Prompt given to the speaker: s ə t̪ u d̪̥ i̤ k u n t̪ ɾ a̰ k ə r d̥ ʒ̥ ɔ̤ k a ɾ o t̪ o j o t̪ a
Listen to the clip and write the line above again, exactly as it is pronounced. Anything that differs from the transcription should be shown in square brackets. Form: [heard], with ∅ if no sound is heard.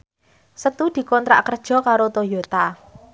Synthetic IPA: s ə t̪ u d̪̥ i̤ k [ɔ] n t̪ ɾ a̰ k ə r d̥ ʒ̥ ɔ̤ k a ɾ o t̪ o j o t̪ a